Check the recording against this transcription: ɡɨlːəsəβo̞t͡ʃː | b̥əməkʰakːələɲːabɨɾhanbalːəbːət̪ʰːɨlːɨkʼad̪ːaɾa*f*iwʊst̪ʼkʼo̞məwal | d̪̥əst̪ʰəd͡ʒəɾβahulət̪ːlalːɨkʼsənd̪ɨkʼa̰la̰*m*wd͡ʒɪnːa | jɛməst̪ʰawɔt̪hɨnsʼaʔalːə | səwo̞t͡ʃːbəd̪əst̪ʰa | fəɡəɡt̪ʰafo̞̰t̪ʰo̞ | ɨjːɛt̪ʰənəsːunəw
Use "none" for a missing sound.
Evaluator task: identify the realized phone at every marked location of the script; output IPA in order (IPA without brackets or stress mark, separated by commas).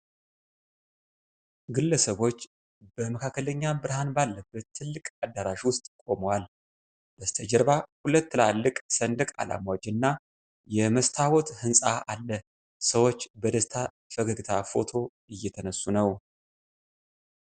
ʃ, m